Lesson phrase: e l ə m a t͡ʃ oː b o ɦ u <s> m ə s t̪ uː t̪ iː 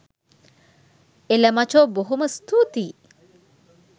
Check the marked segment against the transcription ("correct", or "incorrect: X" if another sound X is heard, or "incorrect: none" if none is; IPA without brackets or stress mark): incorrect: none